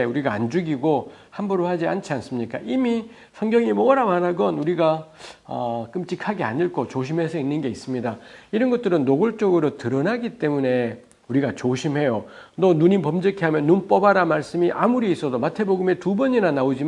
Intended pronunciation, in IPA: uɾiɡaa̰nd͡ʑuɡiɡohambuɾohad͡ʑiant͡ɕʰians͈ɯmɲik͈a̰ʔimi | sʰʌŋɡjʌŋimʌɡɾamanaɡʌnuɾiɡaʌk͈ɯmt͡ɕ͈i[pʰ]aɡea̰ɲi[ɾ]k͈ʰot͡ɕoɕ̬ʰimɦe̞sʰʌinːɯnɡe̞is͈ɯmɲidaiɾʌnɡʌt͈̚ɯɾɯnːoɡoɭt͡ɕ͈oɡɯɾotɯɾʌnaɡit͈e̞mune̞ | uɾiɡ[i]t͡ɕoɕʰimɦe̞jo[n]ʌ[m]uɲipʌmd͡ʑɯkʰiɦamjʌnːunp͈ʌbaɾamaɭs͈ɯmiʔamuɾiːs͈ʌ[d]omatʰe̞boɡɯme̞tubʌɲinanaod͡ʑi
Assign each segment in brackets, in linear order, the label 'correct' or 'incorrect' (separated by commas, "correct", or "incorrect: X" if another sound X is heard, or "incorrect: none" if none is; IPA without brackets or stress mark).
incorrect: kʰ, incorrect: ɭ, incorrect: a, correct, incorrect: n, correct